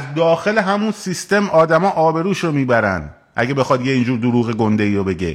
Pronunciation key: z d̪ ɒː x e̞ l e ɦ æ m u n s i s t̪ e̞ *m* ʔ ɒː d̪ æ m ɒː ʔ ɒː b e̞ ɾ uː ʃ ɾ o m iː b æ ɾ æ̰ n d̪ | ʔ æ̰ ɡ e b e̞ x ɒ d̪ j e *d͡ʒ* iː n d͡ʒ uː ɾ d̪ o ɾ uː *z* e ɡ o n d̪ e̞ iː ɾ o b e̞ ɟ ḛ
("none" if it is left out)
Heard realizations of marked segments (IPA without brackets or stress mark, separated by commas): m, none, ɣ